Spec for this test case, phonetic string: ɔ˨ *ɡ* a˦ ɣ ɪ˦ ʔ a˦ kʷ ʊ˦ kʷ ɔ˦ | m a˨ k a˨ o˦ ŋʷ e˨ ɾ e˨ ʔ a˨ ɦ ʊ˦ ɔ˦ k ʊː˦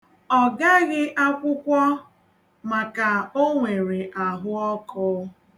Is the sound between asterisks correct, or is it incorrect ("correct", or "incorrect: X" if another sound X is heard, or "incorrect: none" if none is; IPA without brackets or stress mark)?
correct